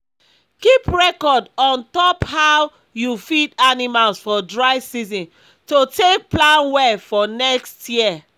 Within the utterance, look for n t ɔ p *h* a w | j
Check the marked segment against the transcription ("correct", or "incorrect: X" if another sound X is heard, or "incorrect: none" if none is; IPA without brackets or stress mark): correct